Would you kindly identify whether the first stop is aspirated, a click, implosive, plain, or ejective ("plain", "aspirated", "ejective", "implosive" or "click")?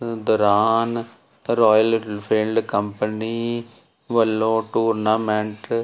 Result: plain